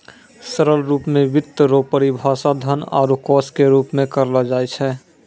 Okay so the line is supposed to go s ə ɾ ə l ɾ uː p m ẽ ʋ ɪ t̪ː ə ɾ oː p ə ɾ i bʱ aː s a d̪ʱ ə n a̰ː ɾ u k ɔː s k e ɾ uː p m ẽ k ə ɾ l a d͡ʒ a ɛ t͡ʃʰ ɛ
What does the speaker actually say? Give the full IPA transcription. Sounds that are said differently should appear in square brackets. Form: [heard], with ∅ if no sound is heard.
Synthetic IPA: s ə ɾ ə l ɾ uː p m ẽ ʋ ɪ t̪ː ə ɾ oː p ə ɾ i bʱ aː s a d̪ʱ ə n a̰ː ɾ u k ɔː s k e ɾ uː p m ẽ k ə ɾ l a d͡ʒ a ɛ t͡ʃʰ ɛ